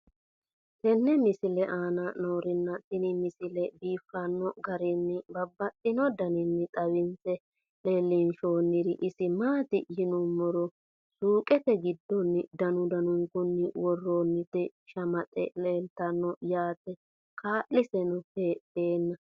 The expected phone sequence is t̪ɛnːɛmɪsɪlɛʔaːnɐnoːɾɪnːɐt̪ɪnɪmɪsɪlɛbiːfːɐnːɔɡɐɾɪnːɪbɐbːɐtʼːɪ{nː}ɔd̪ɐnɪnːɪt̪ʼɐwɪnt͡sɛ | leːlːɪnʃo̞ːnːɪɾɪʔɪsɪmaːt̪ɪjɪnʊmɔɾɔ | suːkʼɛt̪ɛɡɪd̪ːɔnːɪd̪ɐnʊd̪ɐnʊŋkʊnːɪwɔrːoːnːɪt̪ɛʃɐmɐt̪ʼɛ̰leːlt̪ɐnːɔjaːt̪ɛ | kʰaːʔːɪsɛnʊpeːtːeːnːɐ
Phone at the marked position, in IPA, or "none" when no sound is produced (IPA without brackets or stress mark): n